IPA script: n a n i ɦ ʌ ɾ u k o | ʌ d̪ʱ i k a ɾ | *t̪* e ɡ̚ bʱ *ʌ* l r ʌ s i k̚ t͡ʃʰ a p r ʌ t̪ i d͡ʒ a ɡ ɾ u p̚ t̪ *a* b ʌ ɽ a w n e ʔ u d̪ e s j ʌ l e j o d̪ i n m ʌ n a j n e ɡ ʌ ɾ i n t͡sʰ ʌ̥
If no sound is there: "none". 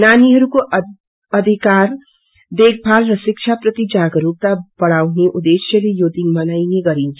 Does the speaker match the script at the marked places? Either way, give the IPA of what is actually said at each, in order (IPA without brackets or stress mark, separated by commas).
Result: d̪, a, a